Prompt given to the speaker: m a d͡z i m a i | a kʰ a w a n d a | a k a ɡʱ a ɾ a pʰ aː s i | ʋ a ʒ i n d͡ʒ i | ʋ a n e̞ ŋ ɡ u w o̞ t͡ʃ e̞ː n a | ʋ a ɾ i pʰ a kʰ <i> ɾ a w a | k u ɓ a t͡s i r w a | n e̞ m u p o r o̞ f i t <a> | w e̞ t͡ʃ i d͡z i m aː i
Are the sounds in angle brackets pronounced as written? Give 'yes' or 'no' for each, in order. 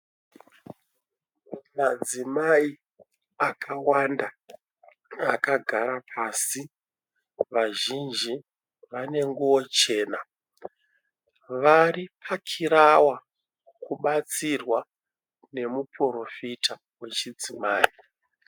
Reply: yes, yes

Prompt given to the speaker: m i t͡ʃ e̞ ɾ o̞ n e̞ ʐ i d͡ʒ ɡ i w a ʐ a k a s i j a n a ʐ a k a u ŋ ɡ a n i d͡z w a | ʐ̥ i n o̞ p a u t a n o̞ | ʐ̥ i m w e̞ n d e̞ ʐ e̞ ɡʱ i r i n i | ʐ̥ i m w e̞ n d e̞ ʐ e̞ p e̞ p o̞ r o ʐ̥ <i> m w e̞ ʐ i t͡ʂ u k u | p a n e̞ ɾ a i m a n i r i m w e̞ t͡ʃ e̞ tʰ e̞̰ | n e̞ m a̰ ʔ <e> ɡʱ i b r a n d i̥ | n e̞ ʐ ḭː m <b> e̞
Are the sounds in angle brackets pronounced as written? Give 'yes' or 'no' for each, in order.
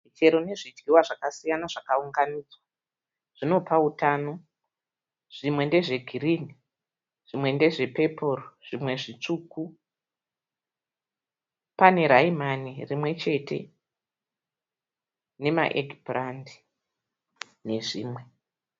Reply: yes, yes, no

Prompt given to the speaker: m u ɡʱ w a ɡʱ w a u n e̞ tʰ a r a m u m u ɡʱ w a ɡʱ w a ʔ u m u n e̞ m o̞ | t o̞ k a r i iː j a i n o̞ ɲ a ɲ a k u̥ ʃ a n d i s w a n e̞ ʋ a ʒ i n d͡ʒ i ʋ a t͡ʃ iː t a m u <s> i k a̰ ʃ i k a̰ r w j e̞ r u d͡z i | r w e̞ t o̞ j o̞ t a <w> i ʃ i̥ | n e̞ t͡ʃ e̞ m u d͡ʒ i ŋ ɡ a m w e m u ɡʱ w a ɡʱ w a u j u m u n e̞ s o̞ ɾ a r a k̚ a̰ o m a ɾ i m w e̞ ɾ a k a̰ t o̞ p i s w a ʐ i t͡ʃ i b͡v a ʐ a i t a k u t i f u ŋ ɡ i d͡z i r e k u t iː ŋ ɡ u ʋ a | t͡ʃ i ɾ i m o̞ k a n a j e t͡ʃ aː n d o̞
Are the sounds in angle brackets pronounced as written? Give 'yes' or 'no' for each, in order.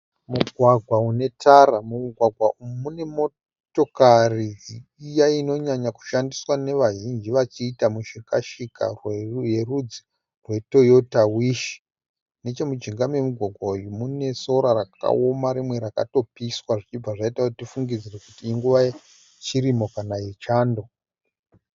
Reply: no, yes

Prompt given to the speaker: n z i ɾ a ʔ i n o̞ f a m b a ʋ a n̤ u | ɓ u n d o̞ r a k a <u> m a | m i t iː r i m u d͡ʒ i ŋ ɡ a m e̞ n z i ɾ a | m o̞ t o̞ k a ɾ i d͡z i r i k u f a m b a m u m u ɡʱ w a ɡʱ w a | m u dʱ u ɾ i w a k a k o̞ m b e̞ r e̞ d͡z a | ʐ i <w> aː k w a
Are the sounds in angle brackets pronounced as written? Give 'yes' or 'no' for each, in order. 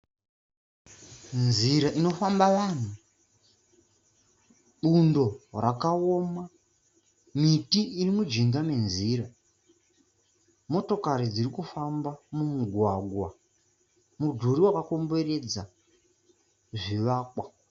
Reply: no, no

